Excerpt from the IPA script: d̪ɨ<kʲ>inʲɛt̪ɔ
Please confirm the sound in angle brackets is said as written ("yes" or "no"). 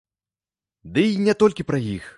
no